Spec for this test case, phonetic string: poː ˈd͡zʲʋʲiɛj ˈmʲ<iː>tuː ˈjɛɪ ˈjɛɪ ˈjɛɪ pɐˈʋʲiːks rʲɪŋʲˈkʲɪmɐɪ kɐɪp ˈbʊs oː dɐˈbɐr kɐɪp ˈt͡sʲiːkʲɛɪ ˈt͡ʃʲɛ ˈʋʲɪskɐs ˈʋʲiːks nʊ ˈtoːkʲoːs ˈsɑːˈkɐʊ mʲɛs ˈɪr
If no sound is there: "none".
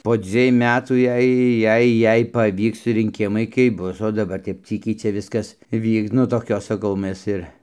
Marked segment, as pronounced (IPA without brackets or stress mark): æː